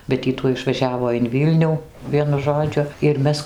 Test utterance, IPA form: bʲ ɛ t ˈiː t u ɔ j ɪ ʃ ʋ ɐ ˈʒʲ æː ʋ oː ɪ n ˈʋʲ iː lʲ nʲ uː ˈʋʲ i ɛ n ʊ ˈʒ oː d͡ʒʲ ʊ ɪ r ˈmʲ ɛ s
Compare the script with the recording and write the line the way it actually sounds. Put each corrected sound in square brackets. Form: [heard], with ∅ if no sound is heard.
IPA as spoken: bʲ ɛ t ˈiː t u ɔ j ɪ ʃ ʋ ɐ ˈʒʲ æː ʋ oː ɪ n ˈʋʲ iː lʲ nʲ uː ˈʋʲ i ɛ n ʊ ˈʒ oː d͡ʒʲ ʊ ɪ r ˈmʲ ɛ s